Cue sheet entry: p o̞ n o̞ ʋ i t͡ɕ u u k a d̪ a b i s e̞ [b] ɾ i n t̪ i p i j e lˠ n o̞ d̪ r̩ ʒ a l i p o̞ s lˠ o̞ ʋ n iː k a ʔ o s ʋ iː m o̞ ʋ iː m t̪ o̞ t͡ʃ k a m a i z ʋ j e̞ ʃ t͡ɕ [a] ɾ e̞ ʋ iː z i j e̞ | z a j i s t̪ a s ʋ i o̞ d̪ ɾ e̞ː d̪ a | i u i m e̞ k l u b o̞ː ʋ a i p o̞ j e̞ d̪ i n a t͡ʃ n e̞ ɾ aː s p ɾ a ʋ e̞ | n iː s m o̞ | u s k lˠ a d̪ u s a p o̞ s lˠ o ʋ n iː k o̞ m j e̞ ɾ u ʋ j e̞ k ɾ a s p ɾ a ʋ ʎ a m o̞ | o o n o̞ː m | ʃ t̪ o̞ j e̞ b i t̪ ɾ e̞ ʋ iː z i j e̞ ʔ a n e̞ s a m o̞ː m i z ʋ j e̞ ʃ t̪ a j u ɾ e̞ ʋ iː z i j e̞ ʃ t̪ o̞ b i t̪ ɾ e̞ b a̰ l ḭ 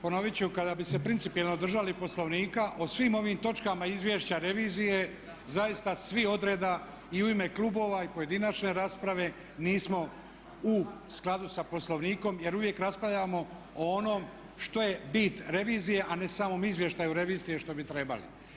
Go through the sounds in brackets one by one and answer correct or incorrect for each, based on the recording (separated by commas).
incorrect, correct